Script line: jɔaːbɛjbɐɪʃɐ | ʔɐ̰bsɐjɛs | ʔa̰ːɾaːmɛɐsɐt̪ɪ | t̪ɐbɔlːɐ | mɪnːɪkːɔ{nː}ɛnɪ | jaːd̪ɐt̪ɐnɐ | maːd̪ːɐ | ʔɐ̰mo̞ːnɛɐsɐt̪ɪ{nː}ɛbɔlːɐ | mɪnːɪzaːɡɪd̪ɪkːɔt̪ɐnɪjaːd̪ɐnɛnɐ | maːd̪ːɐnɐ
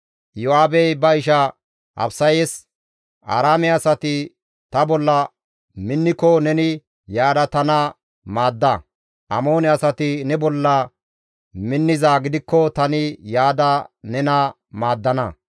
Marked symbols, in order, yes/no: no, no

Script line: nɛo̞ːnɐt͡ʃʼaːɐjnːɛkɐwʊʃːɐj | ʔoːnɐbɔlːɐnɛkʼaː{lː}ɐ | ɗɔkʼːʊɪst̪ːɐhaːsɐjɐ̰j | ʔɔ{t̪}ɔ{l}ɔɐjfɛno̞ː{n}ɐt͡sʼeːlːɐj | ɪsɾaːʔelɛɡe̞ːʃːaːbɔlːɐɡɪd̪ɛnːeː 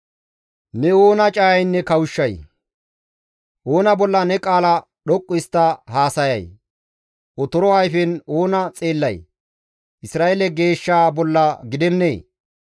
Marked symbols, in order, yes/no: no, yes, no, yes

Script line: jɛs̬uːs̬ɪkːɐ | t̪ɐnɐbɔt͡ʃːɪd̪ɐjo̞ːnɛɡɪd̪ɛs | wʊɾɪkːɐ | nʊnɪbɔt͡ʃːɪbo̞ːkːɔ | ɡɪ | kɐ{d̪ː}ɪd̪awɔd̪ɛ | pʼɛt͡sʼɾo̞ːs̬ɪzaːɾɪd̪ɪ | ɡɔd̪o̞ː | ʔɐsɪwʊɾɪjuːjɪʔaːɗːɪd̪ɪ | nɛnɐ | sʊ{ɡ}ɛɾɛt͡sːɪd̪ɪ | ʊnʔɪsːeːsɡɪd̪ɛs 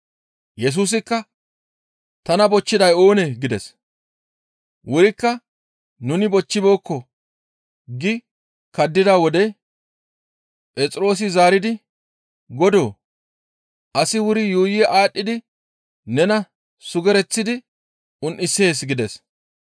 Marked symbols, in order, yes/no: yes, yes

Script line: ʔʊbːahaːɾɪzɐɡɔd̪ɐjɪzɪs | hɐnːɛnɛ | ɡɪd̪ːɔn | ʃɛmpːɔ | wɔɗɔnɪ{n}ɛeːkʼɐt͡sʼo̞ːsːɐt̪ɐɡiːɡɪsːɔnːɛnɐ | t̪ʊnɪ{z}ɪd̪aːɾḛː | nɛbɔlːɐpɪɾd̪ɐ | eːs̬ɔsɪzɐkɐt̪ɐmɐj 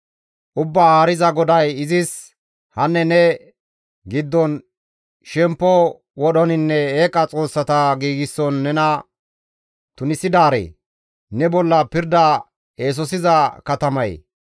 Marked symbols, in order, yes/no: no, no

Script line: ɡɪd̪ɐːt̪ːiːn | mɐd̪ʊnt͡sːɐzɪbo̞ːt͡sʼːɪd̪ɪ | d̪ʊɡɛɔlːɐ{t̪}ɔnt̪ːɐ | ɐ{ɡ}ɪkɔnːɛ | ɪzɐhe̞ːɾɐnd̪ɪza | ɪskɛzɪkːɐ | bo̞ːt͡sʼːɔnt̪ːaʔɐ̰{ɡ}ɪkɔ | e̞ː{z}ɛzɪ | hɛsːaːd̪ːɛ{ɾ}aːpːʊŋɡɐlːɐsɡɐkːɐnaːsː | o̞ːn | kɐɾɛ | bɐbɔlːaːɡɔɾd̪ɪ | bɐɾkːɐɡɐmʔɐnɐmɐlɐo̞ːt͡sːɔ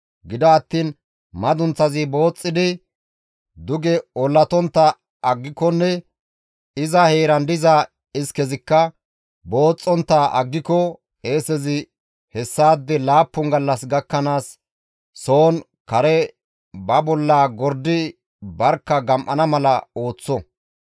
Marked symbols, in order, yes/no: yes, no, no, no, no

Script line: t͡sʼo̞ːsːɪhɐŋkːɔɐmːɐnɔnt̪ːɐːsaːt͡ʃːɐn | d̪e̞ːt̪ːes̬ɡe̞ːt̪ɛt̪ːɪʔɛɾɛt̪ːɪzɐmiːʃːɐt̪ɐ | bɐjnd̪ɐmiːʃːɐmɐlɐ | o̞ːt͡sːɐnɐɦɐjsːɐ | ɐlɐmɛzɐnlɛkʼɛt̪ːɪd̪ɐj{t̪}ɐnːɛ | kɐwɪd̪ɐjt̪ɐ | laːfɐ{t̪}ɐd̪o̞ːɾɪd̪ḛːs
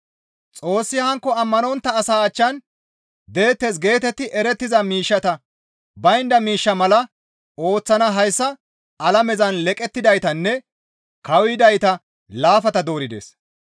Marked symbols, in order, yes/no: yes, yes

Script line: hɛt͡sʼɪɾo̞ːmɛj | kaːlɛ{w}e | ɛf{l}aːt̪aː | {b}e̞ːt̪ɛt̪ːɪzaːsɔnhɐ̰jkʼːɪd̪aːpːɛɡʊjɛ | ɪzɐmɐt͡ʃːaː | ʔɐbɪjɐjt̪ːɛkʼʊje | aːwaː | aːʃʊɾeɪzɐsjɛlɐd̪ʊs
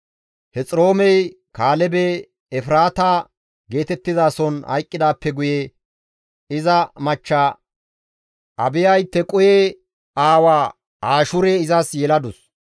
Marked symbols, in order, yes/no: no, no, no

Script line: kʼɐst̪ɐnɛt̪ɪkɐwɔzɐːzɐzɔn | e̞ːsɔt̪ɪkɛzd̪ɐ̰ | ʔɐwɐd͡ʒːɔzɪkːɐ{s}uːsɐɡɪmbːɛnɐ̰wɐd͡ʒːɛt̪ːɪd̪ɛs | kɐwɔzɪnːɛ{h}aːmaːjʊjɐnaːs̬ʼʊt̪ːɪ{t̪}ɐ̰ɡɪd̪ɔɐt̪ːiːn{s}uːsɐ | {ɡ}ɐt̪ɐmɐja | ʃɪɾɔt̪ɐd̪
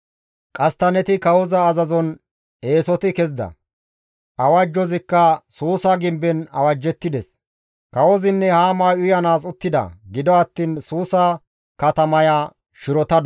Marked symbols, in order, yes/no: yes, yes, no, yes, no

